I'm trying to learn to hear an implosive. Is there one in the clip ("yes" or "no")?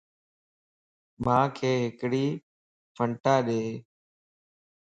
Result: yes